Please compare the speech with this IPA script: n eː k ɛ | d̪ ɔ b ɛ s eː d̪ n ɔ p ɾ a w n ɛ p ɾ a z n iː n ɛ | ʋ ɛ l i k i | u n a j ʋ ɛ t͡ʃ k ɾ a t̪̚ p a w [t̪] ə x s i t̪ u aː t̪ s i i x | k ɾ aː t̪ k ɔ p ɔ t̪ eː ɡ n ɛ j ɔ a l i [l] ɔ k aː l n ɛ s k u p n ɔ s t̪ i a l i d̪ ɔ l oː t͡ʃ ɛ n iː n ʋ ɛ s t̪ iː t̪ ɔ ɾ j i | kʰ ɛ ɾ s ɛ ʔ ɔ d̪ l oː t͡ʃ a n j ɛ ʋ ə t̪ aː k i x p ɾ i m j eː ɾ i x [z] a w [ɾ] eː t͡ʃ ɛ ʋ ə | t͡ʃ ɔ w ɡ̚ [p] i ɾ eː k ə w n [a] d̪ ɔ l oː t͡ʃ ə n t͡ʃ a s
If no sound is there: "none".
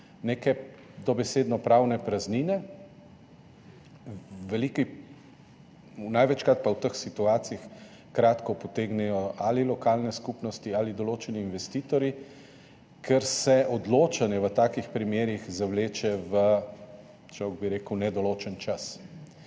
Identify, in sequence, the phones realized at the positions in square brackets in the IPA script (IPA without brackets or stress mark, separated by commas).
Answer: t̪, l, z, l, b, ɛ